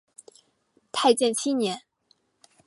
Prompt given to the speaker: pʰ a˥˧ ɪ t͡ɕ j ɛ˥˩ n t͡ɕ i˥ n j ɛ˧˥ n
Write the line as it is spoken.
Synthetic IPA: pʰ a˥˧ ɪ t͡ɕ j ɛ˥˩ n t͡ɕʰ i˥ n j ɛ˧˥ n